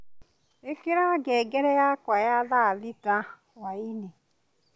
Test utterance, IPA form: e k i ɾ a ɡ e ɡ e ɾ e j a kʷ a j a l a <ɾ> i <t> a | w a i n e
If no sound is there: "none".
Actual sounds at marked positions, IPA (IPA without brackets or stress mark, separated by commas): l, t